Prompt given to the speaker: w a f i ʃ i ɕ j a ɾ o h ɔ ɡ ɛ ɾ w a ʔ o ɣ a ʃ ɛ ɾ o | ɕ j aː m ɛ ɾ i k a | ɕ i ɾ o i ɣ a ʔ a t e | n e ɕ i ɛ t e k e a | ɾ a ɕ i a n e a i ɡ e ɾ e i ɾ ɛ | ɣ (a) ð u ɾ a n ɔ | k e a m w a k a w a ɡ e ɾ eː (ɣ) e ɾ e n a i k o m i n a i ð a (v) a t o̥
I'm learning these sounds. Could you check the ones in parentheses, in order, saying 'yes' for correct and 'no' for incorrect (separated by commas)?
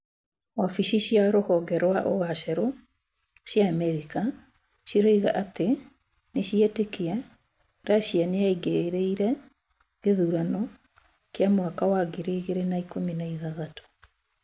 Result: no, yes, no